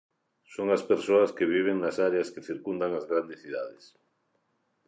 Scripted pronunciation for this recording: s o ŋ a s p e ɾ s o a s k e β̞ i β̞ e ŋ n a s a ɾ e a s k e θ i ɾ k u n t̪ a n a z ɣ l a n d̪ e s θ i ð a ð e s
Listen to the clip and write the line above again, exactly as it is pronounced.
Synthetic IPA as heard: s o ŋ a s p e ɾ s o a s k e β̞ i β̞ e ŋ n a s a ɾ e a s k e θ i ɾ k u n d̪ a ŋ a z ɣ ɾ a n d̪ e s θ i ð a ð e s